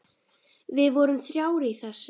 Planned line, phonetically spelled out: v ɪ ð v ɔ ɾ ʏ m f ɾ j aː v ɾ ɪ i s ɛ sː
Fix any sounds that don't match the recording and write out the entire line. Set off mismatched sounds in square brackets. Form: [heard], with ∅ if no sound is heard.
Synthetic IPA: v ɪ ð v ɔ ɾ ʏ m [θ] ɾ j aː [w] ɾ ɪ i [θ] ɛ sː